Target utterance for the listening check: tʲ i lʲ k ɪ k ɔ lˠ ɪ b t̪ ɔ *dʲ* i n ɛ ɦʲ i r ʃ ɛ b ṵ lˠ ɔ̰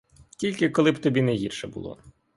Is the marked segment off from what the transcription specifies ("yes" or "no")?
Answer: yes